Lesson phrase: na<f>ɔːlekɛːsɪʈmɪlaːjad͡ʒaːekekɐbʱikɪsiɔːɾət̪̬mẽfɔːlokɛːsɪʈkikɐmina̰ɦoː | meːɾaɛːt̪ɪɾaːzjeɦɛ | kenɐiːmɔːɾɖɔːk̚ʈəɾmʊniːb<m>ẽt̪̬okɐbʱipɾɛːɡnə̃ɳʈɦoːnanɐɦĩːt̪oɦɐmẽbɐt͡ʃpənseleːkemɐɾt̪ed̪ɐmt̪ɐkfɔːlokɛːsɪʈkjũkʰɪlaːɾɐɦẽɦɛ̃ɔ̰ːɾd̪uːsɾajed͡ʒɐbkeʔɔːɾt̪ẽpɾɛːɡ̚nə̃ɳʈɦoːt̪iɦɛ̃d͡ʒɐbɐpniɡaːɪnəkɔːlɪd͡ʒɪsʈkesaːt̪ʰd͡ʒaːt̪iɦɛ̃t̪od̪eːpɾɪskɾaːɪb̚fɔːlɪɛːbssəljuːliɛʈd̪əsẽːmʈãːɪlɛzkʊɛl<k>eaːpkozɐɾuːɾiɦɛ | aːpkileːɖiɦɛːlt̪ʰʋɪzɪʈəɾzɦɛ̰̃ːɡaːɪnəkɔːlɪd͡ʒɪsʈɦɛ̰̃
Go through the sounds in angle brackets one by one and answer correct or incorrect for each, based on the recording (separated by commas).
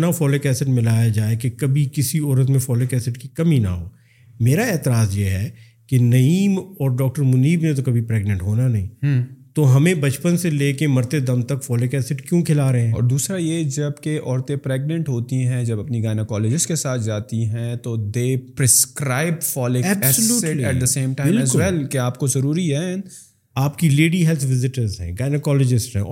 correct, incorrect, correct